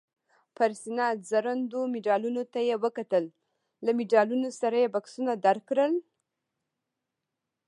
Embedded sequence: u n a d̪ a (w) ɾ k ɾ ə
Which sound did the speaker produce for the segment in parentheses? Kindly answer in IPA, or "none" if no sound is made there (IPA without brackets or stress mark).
none